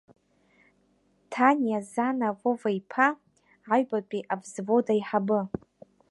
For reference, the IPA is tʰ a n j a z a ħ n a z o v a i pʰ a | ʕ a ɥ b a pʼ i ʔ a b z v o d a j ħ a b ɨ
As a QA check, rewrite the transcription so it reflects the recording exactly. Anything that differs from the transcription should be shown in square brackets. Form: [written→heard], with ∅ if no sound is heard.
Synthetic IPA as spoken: tʰ a n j a z a [ħ→∅] n a [z→v] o v a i pʰ a | ʕ a ɥ b a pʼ i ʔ a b z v o d a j ħ a b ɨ